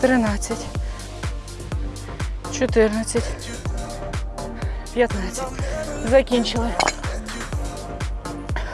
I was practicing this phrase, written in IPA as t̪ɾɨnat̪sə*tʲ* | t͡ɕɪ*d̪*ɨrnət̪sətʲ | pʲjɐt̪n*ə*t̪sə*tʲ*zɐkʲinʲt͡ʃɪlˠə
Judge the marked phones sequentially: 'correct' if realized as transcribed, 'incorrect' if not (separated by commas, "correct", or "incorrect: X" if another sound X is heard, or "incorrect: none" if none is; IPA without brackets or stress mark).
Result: correct, incorrect: t̪, incorrect: a, correct